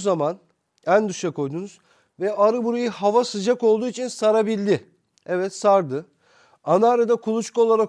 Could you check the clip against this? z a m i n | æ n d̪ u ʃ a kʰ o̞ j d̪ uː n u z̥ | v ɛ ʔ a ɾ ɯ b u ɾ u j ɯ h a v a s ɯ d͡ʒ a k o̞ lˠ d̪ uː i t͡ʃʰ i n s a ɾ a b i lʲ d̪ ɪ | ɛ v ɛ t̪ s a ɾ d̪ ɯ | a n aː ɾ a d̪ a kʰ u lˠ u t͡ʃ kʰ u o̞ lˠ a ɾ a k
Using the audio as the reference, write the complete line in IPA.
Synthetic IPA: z a m a n | æ n d̪ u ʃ a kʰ o̞ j d̪ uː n u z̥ | v ɛ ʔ a ɾ ɯ b u ɾ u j ɯ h a v a s ɯ d͡ʒ a k o̞ lˠ d̪ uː i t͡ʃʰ i n s a ɾ a b i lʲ d̪ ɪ | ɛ v ɛ t̪ s a ɾ d̪ ɯ | a n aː ɾ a d̪ a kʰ u lˠ u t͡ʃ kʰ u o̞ lˠ a ɾ a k